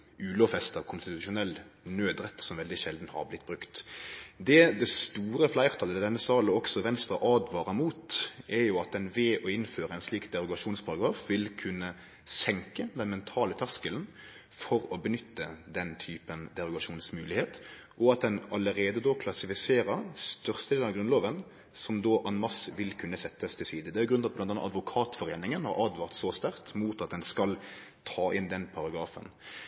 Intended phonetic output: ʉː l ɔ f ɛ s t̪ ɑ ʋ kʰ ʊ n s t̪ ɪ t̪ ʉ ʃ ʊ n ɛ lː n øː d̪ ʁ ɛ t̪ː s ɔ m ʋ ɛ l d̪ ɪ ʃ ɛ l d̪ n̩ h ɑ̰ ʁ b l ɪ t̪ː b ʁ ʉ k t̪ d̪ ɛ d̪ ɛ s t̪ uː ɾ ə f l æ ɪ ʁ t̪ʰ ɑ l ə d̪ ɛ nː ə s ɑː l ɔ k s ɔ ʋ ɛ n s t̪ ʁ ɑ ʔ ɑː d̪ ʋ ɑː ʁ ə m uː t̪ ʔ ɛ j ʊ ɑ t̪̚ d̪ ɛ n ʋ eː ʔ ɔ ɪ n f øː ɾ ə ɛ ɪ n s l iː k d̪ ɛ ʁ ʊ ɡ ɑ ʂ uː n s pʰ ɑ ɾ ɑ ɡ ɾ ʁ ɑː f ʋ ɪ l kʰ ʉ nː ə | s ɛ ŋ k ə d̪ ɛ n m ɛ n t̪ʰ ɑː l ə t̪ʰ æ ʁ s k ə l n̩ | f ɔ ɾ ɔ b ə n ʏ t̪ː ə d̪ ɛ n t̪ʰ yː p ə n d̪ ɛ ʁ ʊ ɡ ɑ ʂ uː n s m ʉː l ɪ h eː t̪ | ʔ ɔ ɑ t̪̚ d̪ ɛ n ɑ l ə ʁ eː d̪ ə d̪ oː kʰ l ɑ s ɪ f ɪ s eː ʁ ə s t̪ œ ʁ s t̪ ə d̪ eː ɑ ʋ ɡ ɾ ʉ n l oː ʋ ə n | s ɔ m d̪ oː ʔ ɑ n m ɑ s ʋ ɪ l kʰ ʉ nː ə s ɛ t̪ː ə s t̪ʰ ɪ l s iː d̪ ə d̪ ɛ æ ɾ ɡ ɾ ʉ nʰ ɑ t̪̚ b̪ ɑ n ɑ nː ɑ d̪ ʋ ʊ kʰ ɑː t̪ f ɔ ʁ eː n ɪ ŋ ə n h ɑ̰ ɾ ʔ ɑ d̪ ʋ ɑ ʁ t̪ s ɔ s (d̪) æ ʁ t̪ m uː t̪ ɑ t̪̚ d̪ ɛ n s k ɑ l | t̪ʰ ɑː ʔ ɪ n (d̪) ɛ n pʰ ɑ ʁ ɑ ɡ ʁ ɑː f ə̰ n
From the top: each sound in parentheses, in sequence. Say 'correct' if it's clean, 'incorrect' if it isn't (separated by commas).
incorrect, correct